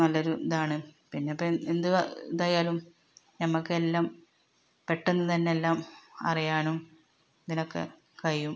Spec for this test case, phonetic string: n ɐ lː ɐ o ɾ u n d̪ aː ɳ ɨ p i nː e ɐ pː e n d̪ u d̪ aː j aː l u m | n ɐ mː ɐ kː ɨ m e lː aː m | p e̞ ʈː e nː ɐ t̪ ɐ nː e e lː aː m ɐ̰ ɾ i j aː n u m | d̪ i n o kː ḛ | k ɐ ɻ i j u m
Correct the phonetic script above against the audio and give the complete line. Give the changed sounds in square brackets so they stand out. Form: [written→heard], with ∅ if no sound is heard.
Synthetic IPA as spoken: n ɐ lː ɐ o ɾ u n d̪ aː ɳ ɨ p i nː e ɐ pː e n d̪ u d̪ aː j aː l u m | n ɐ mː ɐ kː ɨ [m→∅] e lː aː m | p e̞ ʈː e nː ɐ t̪ ɐ nː e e lː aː m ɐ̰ [ɾ→r] i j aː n u m | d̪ i n o kː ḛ | k ɐ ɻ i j u m